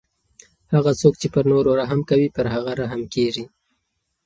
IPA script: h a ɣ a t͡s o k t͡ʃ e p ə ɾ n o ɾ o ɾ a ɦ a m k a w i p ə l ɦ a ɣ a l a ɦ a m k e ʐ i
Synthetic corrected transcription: h a ɣ a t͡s o k t͡ʃ e p ə ɾ n o ɾ o ɾ a ɦ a m k a w i p ə ɾ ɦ a ɣ a ɾ a ɦ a m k e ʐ i